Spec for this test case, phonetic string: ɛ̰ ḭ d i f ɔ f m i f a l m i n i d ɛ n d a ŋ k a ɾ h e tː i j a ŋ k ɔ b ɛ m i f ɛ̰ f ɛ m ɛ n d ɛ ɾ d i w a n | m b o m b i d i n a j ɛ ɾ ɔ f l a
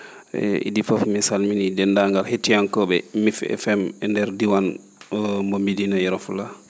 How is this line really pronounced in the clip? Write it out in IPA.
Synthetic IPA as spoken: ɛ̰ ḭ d i f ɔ f m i s a l m i n i d ɛ n d a ŋ ɡ a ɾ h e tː i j a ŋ k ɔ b ɛ m i f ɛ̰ f ɛ m ɛ n d ɛ ɾ d i w a n | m b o m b i d i n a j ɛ ɾ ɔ f l a